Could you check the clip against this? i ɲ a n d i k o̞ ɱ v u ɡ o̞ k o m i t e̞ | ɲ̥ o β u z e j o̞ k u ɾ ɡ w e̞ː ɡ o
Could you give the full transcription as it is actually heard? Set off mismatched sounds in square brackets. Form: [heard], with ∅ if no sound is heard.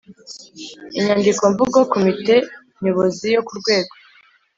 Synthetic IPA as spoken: i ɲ a n d i k o̞ ɱ v u ɡ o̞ k o m i t e̞ | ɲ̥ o β [o] z [i] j o̞ k u ɾ ɡ w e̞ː ɡ o